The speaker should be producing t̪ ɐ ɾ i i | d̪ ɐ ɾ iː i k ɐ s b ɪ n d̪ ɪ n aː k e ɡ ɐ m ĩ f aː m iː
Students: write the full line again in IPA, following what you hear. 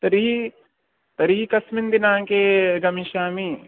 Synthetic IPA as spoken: t̪ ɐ ɾ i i | t̪ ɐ ɾ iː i k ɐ s m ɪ n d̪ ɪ n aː k e ɡ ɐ m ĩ ʃ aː m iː